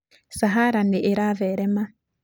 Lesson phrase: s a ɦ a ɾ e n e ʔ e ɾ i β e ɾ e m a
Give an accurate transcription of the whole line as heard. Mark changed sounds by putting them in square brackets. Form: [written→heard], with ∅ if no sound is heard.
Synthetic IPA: s a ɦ a ɾ [e→a] n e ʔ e ɾ [i→a] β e ɾ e m a